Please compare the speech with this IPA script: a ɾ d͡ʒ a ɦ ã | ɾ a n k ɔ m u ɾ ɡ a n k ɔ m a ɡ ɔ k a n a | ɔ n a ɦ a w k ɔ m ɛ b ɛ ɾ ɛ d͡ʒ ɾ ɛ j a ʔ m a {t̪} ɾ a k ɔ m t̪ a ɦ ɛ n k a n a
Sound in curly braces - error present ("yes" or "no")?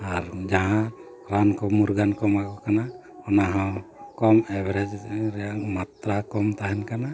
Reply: no